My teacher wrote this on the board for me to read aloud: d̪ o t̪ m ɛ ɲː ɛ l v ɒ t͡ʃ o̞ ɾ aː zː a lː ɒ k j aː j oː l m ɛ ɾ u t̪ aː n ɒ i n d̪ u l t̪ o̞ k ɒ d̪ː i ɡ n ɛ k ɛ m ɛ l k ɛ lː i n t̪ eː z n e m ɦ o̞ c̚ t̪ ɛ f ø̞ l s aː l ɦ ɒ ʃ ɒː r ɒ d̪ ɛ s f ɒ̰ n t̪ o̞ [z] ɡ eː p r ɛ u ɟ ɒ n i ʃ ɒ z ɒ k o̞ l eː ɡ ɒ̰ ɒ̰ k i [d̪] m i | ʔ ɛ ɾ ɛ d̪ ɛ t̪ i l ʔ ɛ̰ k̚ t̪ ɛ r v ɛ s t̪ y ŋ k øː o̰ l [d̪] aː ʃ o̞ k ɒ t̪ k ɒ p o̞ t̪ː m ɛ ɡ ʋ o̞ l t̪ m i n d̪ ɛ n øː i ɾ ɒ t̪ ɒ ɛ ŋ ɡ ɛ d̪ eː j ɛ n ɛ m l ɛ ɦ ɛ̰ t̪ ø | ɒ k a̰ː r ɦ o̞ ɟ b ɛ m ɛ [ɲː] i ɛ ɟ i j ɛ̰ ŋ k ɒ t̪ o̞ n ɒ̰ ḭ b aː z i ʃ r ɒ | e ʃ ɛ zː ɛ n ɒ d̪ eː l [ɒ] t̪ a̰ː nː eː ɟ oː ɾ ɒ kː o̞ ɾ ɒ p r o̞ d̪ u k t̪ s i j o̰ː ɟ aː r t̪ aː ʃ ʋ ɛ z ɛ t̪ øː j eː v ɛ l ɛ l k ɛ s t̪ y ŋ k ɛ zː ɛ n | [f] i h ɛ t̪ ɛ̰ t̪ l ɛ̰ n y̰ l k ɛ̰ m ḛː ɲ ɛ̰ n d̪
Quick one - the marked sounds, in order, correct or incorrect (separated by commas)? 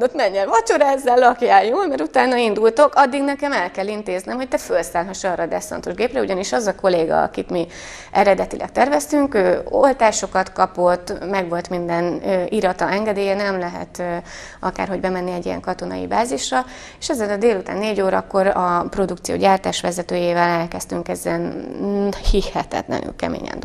incorrect, incorrect, incorrect, incorrect, incorrect, incorrect